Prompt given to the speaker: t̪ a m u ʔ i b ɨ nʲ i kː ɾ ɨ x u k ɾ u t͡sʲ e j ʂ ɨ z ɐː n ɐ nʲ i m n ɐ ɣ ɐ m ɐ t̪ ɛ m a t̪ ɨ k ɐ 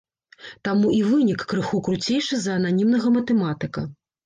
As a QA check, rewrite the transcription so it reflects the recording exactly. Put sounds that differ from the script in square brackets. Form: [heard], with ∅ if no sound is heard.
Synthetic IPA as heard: t̪ a m u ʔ i [v] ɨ nʲ i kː ɾ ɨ x u k ɾ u t͡sʲ e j ʂ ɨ z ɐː n [a] nʲ i m n ɐ ɣ ɐ m ɐ t̪ ɛ m a t̪ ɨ k ɐ